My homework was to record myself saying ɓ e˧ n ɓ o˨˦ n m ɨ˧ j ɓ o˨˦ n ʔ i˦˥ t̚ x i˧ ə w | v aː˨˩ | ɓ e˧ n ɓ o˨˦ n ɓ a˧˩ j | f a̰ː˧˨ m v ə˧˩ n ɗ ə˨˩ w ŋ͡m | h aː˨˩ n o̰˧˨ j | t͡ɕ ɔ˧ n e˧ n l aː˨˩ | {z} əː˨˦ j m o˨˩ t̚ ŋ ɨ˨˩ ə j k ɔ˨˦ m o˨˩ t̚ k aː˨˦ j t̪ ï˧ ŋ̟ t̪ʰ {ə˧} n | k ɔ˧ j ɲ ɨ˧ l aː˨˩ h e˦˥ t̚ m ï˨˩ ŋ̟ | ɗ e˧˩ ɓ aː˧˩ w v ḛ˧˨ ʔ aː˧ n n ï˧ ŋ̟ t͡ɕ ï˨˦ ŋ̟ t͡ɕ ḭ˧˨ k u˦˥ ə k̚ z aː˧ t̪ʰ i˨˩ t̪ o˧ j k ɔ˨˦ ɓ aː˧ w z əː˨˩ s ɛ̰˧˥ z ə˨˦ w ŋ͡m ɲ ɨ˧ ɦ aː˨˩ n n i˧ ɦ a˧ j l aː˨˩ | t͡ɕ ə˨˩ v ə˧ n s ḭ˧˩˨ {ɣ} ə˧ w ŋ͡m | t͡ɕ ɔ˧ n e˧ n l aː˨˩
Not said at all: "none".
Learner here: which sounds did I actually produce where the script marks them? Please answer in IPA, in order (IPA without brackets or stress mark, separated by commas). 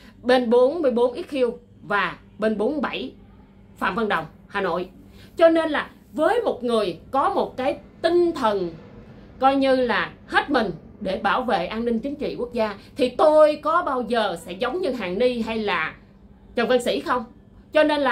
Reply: v, ə˨˩, x